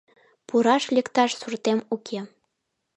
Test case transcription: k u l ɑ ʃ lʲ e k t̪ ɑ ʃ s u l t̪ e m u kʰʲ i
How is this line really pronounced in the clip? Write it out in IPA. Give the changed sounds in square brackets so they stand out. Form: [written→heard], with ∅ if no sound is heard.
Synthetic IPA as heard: [k→p] u [l→ɾ] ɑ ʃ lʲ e k t̪ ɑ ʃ s u [l→r] t̪ e m u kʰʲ [i→e]